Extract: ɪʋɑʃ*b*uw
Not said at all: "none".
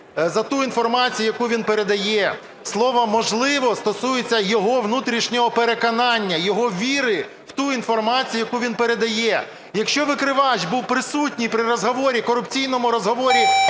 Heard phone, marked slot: b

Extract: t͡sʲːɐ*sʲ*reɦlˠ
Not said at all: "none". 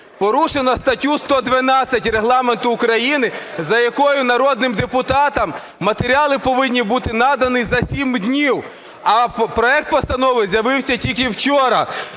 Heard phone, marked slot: tʲ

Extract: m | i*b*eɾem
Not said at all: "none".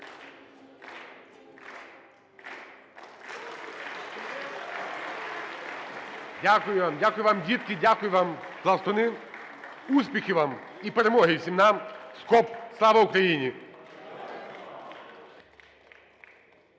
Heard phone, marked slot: p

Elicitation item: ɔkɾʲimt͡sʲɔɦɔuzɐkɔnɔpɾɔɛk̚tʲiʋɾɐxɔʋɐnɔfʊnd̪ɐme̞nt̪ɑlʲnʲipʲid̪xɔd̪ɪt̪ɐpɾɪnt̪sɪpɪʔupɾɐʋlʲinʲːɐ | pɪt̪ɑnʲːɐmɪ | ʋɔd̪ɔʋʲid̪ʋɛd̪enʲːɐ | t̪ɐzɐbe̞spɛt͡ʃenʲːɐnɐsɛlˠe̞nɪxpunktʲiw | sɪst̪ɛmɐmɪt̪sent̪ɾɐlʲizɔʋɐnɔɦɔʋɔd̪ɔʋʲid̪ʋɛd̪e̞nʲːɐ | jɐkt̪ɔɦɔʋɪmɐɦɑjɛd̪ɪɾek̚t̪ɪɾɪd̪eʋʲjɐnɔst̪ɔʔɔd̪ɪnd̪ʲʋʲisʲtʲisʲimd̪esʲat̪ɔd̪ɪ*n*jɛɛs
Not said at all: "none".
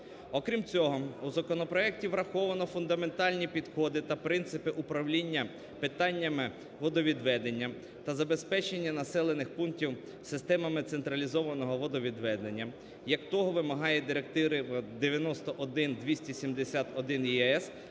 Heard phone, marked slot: n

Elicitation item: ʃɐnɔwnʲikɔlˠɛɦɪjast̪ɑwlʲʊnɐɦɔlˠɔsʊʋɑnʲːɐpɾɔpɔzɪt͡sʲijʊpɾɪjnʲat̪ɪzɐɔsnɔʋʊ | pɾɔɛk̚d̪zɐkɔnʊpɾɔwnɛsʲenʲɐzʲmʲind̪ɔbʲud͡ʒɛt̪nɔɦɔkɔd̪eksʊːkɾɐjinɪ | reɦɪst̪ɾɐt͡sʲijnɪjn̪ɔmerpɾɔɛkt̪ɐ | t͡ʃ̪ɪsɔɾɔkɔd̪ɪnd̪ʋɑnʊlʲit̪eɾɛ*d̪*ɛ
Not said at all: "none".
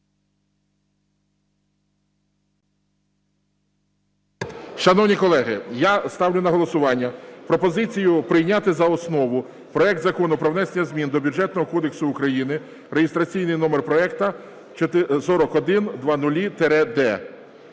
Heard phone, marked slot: d̪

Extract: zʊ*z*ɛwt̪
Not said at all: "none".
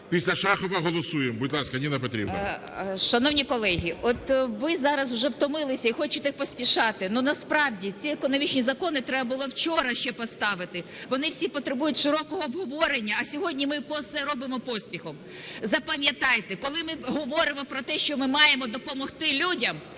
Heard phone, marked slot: ʒ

